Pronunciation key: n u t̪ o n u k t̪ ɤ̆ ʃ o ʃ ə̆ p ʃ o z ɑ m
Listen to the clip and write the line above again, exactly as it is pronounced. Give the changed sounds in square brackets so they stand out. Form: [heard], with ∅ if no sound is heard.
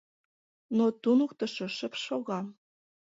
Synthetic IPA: n [o] t̪ [u] n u k t̪ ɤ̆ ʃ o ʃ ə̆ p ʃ o [ɣ] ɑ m

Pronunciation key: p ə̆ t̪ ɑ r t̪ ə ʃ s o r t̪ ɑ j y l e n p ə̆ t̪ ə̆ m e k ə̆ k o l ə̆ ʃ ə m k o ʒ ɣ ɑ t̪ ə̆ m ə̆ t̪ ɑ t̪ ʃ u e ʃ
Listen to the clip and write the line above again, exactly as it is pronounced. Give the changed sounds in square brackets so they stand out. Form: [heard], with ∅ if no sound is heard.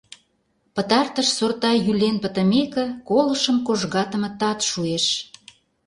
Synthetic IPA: p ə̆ t̪ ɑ r t̪ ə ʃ s o r t̪ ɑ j y l e n p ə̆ t̪ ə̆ m e k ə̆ k o l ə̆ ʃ ə m k o ʒ ɣ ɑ t̪ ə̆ m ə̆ t̪ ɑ t̪ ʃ u e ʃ

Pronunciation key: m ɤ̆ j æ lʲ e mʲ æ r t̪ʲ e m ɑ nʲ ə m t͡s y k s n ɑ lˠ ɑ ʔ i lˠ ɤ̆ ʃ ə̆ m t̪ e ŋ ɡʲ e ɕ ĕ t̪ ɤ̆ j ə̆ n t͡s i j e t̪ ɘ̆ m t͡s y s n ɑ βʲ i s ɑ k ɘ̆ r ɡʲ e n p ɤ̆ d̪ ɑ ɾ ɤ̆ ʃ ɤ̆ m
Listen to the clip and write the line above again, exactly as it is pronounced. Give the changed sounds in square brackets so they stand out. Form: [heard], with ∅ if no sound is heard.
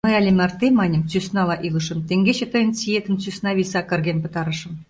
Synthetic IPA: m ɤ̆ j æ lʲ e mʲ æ r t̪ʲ e m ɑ nʲ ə m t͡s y [∅] s n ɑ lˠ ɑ ʔ i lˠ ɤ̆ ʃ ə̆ m t̪ e ŋ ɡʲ e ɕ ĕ t̪ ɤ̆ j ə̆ n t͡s i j e t̪ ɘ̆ m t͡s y s n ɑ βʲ i s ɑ k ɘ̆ r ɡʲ e n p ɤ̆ [t̪] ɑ ɾ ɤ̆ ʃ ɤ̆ m

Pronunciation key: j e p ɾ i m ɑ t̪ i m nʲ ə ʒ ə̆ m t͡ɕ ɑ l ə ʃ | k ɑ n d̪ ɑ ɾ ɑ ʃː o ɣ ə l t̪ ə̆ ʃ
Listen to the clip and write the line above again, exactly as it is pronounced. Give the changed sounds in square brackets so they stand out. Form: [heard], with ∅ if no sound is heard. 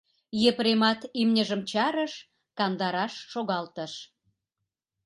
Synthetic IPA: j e p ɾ [e] m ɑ t̪ i m nʲ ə ʒ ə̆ m t͡ɕ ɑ [ɾ] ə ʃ | k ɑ n d̪ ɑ ɾ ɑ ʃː o ɣ [ɑ] l t̪ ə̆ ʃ

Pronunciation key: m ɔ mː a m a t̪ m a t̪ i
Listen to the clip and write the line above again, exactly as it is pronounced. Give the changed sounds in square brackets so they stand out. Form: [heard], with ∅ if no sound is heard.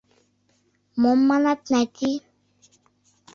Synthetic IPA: m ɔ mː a [n] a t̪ [n] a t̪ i

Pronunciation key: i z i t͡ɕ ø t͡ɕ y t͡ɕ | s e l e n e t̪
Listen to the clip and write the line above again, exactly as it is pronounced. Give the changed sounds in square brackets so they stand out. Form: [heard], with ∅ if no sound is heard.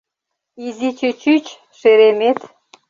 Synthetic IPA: i z i t͡ɕ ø t͡ɕ y t͡ɕ | [ʃ] e [ɾ] e [m] e t̪

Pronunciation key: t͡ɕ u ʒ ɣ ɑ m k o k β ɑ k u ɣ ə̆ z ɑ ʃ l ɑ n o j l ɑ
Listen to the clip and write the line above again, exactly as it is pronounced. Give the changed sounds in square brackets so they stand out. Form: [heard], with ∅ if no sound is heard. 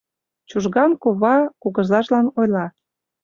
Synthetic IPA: t͡ɕ u ʒ ɣ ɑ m k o [∅] β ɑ k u ɣ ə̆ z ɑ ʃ l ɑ n o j l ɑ

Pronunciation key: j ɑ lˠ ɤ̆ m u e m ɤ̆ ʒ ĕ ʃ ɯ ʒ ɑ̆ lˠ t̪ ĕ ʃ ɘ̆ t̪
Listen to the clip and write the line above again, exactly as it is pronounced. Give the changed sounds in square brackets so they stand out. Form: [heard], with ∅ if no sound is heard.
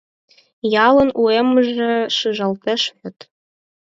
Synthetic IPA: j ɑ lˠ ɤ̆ [n] u e m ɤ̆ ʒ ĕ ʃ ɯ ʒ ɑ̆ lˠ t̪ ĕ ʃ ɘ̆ t̪

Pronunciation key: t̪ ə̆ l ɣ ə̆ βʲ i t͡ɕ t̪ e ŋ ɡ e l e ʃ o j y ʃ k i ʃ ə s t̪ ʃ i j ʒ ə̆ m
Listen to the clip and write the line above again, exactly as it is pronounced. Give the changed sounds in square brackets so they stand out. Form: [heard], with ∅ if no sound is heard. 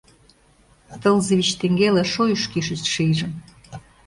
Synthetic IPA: t̪ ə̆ l [z] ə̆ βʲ i t͡ɕ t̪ e ŋ ɡ e l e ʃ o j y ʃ k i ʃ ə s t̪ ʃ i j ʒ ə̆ m

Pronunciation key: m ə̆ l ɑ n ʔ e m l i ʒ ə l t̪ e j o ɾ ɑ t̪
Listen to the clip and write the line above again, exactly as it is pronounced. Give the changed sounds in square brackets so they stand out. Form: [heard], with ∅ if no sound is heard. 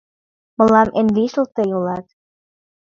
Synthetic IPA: m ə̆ l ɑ [m] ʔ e [n] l i [ʃ] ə l t̪ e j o [l] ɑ t̪

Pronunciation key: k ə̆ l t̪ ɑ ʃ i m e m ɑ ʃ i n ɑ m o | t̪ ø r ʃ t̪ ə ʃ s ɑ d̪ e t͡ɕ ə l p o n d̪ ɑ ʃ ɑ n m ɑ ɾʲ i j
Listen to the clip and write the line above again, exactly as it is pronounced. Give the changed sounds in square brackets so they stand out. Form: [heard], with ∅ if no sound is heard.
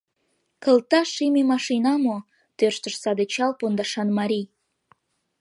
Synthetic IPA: k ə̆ l t̪ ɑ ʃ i m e m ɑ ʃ i n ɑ m o | t̪ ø r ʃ t̪ ə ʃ s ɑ d̪ e t͡ɕ [ɑ] l p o n d̪ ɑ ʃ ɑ n m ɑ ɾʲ i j

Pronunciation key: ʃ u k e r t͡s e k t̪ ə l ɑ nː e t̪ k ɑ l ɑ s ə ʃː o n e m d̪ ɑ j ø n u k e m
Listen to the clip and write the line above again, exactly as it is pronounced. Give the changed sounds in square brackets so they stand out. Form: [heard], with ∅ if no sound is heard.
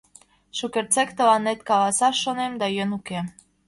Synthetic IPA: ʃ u k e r t͡s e k t̪ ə l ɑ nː e t̪ k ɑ l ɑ s [ɑ] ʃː o n e m d̪ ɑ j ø n u k e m

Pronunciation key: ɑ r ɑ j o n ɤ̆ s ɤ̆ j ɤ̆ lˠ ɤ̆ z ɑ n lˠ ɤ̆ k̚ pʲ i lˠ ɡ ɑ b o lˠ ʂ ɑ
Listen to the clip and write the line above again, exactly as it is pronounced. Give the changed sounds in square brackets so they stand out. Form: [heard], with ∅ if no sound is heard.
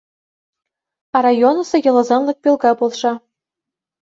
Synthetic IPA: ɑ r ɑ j o n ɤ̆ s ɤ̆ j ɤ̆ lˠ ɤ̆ z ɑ n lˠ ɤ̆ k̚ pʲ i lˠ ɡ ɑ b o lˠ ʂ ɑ

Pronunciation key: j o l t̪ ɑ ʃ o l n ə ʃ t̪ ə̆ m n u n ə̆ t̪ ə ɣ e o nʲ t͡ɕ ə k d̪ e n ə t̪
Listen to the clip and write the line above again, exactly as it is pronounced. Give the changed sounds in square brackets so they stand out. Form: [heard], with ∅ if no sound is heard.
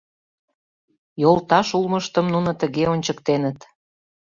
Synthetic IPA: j o l t̪ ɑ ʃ [u] l [m] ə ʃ t̪ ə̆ m n u n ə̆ t̪ ə ɣ e o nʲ t͡ɕ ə k [t̪] e n ə t̪

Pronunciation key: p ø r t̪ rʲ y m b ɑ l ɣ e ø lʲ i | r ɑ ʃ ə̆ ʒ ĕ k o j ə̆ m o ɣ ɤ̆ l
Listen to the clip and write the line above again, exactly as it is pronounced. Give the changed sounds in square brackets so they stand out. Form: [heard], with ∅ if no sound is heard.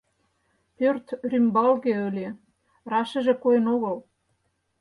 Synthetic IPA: p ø r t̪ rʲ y m b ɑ l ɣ e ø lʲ [e] | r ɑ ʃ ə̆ ʒ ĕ k o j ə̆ [n] o ɣ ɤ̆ l

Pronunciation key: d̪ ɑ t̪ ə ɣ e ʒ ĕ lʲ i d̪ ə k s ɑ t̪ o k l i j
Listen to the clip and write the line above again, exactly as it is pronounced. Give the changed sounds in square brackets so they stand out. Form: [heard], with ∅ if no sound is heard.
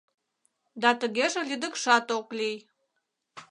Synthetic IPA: d̪ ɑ t̪ ə ɣ e ʒ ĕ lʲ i d̪ ə k [ʃ] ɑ t̪ o k l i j

